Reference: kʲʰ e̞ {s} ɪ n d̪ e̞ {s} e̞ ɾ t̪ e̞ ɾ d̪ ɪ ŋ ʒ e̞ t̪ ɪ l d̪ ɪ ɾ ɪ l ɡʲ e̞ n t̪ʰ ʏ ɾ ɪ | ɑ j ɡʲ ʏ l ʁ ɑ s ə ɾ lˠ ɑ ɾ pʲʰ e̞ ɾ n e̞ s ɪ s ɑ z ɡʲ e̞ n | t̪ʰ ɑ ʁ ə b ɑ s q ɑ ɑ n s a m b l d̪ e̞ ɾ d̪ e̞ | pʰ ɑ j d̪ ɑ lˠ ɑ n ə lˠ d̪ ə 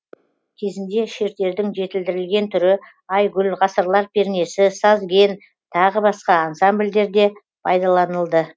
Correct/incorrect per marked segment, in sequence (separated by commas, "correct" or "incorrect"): incorrect, incorrect